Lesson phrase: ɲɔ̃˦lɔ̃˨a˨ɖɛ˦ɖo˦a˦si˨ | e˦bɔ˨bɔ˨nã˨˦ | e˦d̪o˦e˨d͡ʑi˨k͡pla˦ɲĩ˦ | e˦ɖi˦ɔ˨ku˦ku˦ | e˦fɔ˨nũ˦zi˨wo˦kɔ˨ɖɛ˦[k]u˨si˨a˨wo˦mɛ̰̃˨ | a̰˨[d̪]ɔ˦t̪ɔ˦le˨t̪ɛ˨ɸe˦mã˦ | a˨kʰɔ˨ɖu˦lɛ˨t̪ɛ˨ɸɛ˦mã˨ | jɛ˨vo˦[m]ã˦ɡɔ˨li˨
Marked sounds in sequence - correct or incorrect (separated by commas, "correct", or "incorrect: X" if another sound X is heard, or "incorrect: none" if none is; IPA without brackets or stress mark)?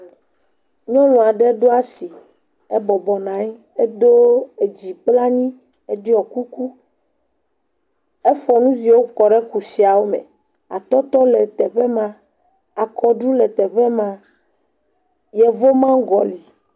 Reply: correct, incorrect: t̪, correct